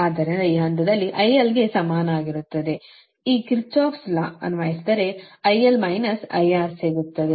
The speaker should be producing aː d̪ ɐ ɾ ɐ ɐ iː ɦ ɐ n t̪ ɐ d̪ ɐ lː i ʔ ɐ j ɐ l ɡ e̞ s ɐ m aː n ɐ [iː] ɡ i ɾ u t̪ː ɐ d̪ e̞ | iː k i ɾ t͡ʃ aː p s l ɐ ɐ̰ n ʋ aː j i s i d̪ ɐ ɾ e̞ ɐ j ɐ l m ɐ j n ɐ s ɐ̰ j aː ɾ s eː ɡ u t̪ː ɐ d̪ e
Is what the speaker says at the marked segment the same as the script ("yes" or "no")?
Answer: no